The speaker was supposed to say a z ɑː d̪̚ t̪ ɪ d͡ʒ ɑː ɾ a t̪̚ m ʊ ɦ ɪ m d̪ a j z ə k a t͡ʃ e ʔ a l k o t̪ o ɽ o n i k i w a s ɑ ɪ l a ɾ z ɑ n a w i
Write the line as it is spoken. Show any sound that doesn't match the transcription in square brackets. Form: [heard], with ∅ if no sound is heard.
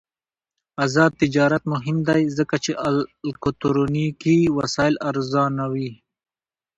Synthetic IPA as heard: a z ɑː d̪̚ t̪ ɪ d͡ʒ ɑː ɾ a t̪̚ m ʊ ɦ ɪ m d̪ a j z ə k a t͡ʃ e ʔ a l k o t̪ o [ɾ] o n i k i w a s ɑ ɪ l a ɾ z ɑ n a w i